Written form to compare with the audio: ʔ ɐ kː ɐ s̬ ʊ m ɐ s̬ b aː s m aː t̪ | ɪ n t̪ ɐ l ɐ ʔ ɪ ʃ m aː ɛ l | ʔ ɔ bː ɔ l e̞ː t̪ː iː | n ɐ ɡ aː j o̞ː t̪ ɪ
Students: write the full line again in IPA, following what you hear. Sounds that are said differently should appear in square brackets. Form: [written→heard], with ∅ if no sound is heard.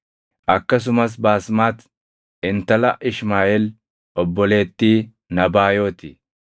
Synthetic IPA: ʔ ɐ kː ɐ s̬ ʊ m ɐ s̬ b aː s m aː t̪ | ɪ n t̪ ɐ l ɐ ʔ ɪ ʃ m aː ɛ l | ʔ ɔ bː ɔ l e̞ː t̪ː iː | n ɐ [ɡ→b] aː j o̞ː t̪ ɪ